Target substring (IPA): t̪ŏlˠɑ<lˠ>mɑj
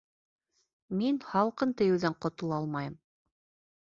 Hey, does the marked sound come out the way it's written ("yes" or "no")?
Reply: yes